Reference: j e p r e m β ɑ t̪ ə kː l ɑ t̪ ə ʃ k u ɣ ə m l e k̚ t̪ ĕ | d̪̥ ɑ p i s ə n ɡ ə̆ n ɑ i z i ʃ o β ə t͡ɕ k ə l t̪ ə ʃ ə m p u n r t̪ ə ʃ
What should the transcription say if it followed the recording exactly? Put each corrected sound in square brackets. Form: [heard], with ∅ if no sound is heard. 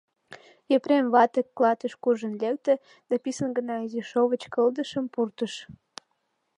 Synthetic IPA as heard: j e p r e m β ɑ t̪ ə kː l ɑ t̪ ə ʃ k u [ʒ] ə [n] l e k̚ t̪ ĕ | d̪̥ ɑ p i s ə n ɡ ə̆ n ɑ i z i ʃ o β ə t͡ɕ k ə l [d̪] ə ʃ ə m p u [∅] r t̪ ə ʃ

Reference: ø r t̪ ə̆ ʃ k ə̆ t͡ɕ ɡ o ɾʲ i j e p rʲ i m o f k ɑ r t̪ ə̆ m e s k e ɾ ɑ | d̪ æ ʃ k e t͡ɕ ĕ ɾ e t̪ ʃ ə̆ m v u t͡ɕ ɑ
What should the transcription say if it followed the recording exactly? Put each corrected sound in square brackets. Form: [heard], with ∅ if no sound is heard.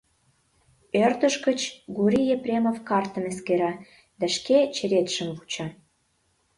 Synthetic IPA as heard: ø r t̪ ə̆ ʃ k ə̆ t͡ɕ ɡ [u] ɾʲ i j e p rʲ [e] m o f k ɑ r t̪ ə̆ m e s k e ɾ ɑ | d̪ æ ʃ k e t͡ɕ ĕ ɾ e t̪ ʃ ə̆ m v u t͡ɕ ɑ

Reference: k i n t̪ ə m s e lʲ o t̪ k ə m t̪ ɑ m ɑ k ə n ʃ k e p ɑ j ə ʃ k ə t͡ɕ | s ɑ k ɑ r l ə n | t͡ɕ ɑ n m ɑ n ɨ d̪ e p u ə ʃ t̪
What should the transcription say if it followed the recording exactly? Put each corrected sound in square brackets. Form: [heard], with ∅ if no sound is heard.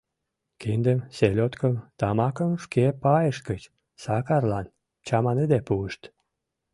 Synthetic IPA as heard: k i n [d̪] ə m s e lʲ o t̪ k ə m t̪ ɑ m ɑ k ə [m] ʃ k e p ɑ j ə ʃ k ə t͡ɕ | s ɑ k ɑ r l [ɑ] n | t͡ɕ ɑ [∅] m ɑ n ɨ d̪ e p u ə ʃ t̪

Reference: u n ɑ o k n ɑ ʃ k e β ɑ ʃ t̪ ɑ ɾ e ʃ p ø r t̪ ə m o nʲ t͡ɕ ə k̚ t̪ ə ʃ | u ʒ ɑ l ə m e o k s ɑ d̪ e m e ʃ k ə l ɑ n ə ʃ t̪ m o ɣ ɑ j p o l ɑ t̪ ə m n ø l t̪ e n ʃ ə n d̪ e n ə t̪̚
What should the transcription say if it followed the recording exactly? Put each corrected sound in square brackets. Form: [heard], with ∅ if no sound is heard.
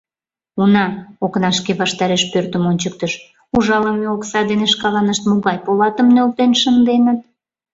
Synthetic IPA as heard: u n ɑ o k n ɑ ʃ k e β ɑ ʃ t̪ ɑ ɾ e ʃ p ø r t̪ ə m o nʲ t͡ɕ ə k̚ t̪ ə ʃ | u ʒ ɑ l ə m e o k s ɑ d̪ e [n] e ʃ k [ɑ] l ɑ n ə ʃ t̪ m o ɣ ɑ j p o l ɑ t̪ ə m n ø l t̪ e n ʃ ə n d̪ e n ə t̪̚

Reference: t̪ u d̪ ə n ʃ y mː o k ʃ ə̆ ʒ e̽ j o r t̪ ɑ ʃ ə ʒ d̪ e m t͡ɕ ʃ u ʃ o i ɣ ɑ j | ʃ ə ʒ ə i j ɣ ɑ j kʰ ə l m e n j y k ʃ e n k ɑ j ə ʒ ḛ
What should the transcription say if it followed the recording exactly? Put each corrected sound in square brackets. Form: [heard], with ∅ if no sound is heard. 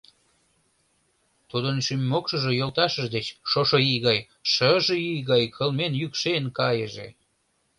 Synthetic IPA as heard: t̪ u d̪ ə n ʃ y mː o k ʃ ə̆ ʒ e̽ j o [l] t̪ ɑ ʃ ə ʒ d̪ e [∅] t͡ɕ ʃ [o] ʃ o i ɣ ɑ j | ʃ ə ʒ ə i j ɣ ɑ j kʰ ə l m e n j y k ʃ e n k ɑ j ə ʒ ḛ

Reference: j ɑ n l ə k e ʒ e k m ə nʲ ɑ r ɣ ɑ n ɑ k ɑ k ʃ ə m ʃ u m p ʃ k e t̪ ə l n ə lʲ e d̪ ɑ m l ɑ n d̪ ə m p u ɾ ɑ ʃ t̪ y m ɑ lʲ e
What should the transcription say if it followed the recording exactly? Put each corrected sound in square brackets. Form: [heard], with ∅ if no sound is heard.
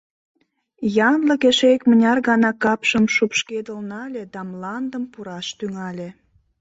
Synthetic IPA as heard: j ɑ n l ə k e [ʃ] e k m ə nʲ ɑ r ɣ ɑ n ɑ k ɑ [p] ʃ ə m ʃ u [∅] p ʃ k e [d̪] ə l n [ɑ] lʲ e d̪ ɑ m l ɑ n d̪ ə m p u ɾ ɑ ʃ t̪ y [ŋ] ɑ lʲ e

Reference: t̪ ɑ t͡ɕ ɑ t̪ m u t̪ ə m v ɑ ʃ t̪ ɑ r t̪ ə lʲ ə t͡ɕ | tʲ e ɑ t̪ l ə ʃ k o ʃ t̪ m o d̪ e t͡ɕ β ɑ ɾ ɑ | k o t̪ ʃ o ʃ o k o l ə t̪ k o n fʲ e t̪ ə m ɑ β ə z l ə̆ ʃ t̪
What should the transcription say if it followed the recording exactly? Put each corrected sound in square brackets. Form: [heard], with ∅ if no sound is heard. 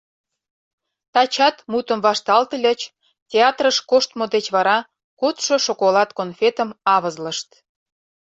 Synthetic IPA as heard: t̪ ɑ t͡ɕ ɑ t̪ m u t̪ ə m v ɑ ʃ t̪ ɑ [l] t̪ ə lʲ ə t͡ɕ | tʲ e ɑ t̪ [r] ə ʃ k o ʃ t̪ m o d̪ e t͡ɕ β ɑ ɾ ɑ | k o t̪ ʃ o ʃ o k o l [ɑ] t̪ k o n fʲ e t̪ ə m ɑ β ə z l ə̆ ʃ t̪

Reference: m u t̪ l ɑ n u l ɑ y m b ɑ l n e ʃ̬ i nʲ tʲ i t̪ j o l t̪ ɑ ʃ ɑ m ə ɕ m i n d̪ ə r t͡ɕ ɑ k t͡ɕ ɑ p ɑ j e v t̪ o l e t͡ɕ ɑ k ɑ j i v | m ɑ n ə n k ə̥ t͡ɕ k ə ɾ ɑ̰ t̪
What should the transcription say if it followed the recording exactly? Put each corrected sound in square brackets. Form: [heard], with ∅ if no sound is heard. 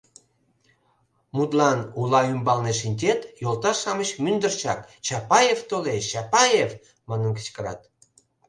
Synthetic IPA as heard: m u t̪ l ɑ n u l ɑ y m b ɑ l n e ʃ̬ i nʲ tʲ [e] t̪ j o l t̪ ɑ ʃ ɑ m ə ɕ m [y] n d̪ ə r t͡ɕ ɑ k t͡ɕ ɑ p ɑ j e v t̪ o l e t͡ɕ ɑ [p] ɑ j [e] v | m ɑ n ə n k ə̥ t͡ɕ k ə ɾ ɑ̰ t̪

